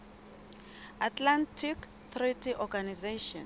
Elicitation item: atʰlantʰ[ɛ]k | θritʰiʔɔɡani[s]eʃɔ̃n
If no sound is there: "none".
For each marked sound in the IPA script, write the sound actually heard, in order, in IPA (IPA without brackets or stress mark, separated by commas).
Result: i, z